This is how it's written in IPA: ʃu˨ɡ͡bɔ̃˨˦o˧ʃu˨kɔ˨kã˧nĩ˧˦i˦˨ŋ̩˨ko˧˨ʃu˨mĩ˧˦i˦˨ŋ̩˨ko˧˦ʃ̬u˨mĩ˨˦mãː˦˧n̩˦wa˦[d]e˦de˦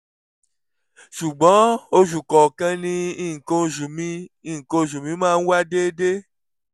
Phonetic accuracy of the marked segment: correct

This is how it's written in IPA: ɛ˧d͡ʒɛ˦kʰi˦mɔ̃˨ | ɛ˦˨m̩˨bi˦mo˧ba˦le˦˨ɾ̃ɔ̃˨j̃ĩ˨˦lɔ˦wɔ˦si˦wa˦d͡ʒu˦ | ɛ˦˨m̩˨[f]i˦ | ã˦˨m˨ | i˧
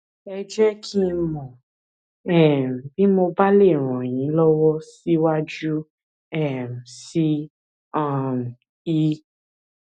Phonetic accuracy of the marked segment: incorrect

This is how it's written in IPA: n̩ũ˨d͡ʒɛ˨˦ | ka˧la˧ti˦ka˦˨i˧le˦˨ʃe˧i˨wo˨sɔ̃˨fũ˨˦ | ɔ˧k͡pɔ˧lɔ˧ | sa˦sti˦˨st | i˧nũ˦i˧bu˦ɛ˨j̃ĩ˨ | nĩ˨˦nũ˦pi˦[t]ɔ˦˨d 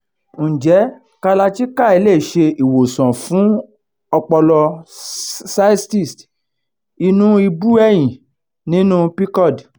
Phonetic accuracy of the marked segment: incorrect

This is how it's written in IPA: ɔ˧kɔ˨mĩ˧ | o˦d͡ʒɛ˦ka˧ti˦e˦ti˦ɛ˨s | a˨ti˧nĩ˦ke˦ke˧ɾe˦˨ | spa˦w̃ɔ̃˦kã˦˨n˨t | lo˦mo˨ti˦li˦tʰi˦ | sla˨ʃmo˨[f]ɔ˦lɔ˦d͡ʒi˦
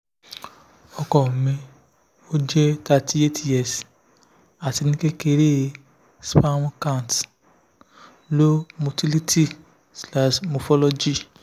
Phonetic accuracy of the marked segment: correct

